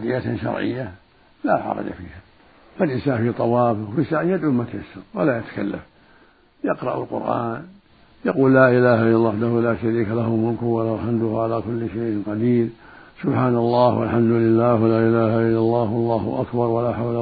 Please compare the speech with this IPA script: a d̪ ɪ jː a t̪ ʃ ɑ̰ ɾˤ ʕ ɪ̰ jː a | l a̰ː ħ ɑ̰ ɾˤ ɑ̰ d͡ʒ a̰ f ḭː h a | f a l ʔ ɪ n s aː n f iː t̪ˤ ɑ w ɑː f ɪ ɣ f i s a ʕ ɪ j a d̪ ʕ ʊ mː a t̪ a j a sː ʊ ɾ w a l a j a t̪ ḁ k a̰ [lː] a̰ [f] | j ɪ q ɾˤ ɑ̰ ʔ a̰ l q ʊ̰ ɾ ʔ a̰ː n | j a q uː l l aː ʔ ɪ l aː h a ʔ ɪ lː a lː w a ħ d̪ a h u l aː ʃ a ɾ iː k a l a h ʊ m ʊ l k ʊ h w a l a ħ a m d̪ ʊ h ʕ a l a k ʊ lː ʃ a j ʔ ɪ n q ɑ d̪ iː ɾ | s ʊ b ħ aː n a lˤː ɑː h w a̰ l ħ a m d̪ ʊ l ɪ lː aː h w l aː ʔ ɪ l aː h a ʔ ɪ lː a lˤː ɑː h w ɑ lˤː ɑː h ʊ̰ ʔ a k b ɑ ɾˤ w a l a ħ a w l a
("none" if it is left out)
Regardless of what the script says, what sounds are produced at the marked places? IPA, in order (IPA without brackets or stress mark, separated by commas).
lː, f